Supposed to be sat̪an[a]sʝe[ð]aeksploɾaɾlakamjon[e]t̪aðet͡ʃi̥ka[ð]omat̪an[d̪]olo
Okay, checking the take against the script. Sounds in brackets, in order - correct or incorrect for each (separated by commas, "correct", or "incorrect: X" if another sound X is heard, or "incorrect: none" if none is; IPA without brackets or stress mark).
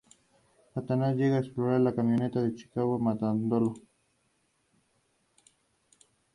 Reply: correct, incorrect: ɣ, correct, incorrect: ɣ, correct